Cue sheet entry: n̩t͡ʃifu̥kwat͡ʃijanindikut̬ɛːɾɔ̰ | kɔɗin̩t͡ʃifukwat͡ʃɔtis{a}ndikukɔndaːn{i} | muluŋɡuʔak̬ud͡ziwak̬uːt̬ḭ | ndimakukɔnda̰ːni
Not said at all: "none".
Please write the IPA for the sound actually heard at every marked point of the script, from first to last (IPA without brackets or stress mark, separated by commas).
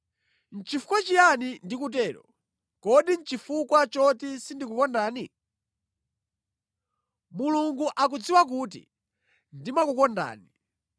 i, i